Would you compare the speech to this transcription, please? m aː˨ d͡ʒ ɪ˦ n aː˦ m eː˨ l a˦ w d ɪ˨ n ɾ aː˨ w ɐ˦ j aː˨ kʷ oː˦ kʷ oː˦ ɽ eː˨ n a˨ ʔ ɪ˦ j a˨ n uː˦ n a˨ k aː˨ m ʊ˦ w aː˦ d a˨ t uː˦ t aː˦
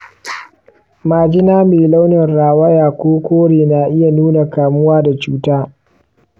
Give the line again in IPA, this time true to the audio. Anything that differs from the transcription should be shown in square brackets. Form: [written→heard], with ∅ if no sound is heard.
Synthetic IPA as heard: m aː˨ d͡ʒ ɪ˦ n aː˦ m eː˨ l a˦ w [d→n] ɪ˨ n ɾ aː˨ w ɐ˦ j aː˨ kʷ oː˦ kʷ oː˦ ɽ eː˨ n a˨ ʔ ɪ˦ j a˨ n uː˦ n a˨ k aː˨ m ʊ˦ w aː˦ d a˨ [t→t͡ʃ] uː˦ t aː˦